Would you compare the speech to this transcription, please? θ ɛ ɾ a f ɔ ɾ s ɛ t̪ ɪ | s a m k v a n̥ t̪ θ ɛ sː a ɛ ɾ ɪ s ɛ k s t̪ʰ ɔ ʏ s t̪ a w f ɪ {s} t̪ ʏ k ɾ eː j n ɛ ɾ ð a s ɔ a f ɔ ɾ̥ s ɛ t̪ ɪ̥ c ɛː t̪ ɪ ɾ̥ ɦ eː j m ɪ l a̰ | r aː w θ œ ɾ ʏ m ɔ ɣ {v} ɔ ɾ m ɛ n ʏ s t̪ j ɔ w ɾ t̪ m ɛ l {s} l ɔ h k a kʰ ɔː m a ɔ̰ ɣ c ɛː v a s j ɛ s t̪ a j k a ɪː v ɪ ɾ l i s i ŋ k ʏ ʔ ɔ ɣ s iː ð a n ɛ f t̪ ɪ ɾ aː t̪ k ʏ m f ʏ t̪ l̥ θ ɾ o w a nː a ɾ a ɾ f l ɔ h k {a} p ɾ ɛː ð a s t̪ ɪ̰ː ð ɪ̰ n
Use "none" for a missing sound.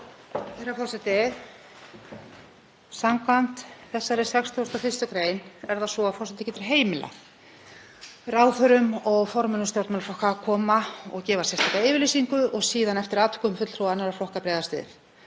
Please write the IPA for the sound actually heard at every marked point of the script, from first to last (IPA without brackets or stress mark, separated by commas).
s, f, f, a